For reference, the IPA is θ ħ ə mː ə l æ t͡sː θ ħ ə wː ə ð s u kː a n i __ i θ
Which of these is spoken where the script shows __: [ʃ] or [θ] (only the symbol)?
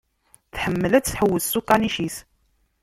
ʃ